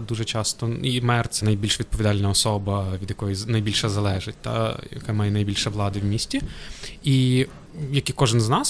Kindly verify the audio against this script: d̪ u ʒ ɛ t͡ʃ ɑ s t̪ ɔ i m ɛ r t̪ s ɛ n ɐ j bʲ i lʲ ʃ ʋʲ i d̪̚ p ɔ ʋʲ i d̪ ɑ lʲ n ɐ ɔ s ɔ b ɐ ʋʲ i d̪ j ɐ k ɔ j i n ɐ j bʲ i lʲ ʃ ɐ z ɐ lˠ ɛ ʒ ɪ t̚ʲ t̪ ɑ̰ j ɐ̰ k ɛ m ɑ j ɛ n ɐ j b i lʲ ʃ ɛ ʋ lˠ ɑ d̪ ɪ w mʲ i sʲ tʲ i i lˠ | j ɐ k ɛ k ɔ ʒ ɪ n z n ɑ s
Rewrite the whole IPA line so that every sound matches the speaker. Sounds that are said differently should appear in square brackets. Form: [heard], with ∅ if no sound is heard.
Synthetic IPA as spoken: d̪ u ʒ ɛ t͡ʃ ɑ s t̪ ɔ i m ɛ r t̪ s ɛ n ɐ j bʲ i lʲ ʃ ʋʲ i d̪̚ p ɔ ʋʲ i d̪ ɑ lʲ n ɐ ɔ s ɔ b ɐ ʋʲ i d̪ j ɐ k ɔ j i n ɐ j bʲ i lʲ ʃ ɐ z ɐ lˠ ɛ ʒ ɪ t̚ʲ t̪ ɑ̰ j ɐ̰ k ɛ m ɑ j ɛ n ɐ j b i lʲ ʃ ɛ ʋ lˠ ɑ d̪ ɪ w mʲ i sʲ tʲ i i [∅] | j ɐ k [i] k ɔ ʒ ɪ n z n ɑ s